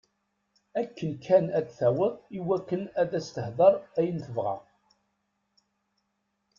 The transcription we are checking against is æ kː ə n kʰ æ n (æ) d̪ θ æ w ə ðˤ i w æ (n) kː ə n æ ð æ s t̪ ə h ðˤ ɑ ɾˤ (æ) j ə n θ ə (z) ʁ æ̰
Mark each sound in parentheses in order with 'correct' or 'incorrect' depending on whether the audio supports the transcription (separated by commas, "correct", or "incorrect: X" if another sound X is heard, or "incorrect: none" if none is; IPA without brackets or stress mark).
correct, incorrect: none, correct, incorrect: v